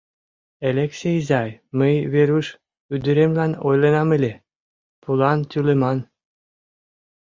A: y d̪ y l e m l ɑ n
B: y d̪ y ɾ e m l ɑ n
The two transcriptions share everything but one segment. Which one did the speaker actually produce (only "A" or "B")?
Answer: B